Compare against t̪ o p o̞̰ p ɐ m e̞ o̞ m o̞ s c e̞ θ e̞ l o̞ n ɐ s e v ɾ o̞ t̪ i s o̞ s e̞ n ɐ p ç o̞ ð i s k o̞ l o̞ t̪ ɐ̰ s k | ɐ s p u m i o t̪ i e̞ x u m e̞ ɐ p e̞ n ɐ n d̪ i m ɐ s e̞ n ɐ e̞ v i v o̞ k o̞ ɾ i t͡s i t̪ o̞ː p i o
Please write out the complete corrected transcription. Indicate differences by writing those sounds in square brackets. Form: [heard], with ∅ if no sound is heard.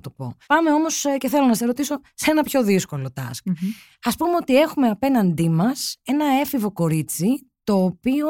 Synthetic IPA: t̪ o p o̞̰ p ɐ m e̞ o̞ m o̞ s c e̞ θ e̞ l o̞ n ɐ s e [∅] ɾ o̞ t̪ i s o̞ s e̞ n ɐ p ç o̞ ð i s k o̞ l o̞ t̪ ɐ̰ s k | ɐ s p u m [e] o t̪ i e̞ x u m e̞ ɐ p e̞ n ɐ n d̪ i m ɐ s e̞ n ɐ e̞ [f] i v o̞ k o̞ ɾ i t͡s i t̪ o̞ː p i o